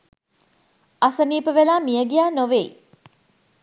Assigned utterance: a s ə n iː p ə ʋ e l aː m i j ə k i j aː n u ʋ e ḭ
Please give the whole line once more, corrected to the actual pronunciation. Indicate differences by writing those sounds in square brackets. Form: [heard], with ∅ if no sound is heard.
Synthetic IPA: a s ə n iː p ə ʋ e l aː m i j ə [ɡ] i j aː n [o] ʋ e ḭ